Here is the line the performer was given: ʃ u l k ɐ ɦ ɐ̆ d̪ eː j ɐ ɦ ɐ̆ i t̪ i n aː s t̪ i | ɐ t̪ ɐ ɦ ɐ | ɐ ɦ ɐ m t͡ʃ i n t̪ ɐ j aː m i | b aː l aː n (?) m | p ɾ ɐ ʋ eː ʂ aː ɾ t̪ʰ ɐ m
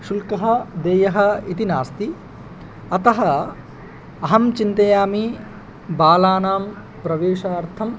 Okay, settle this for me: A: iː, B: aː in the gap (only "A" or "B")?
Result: B